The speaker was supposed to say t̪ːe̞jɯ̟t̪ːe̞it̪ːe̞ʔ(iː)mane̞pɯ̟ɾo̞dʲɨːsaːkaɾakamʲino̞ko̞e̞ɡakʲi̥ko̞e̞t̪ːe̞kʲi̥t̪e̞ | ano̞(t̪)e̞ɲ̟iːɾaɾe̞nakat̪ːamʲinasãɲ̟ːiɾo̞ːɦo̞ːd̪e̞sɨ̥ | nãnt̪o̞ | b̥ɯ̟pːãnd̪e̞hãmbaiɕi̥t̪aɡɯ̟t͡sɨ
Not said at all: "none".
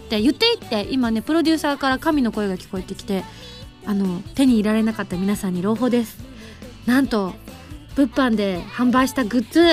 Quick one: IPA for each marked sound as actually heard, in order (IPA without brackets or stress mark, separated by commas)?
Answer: i, t̪